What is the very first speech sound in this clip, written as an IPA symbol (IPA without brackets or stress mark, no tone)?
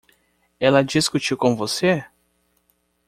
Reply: ɛ